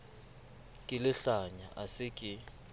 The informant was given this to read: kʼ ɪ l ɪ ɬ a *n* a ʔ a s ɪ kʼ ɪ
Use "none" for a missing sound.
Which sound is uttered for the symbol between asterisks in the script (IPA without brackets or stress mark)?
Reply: ɲ